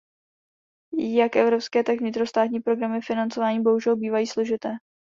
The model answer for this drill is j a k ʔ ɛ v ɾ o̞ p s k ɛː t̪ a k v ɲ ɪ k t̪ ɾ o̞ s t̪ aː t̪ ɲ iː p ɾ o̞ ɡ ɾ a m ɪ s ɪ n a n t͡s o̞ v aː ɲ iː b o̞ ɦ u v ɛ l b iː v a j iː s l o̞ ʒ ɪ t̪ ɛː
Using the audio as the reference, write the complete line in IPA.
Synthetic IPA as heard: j a k ʔ ɛ v ɾ o̞ p s k ɛː t̪ a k v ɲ ɪ t̪ ɾ o̞ s t̪ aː t̪ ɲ iː p ɾ o̞ ɡ ɾ a m ɪ f ɪ n a n t͡s o̞ v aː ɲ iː b o̞ ɦ u ʒ ɛ l b iː v a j iː s l o̞ ʒ ɪ t̪ ɛː